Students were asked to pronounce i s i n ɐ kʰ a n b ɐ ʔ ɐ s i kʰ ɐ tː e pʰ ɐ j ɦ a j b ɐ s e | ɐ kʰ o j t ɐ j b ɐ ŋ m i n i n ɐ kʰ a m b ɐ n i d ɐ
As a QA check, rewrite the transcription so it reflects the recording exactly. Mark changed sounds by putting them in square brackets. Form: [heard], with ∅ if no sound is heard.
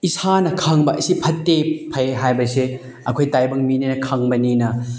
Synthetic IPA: i s [a] n ɐ kʰ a [ŋ] b ɐ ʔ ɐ s i [pʰ] ɐ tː e pʰ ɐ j ɦ a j b ɐ s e | ɐ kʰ o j t [a] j b ɐ ŋ m i n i n ɐ kʰ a [ŋ] b ɐ n i [n] ɐ